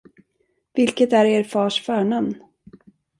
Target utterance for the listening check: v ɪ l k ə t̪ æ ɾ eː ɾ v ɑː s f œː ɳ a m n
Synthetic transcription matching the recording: v ɪ l k ə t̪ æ ɾ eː ɾ f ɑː ʂ f œː ɳ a m n